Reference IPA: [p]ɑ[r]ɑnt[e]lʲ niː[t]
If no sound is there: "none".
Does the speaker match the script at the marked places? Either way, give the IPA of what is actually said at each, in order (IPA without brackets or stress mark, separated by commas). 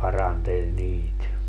p, r, e, t